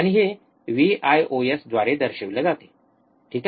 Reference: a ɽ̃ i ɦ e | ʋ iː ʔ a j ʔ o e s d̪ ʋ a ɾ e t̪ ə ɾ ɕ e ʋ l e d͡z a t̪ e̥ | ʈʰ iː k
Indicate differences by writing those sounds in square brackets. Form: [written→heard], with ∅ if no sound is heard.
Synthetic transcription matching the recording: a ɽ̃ i ɦ e | ʋ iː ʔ a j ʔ o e s d̪ ʋ a ɾ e [t̪→d̪] ə ɾ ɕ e ʋ l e d͡z a t̪ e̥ | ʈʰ iː k